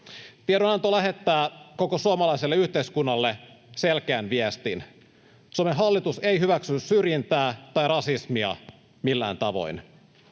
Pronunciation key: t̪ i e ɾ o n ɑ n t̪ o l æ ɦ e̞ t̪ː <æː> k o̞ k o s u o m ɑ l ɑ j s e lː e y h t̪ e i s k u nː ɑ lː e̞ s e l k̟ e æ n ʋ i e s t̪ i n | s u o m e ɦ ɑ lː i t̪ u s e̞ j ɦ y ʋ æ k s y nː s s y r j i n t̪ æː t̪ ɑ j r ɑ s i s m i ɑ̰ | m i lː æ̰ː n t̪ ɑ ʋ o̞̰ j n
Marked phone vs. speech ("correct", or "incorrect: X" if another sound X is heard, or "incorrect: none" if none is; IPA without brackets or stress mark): correct